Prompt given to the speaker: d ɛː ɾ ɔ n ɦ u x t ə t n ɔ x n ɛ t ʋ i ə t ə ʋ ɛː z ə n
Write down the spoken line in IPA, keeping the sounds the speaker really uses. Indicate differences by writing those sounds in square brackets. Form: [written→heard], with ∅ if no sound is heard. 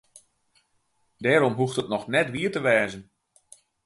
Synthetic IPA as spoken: d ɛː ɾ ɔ [n→m] ɦ u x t ə t n ɔ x n ɛ t ʋ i ə t ə ʋ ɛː z ə n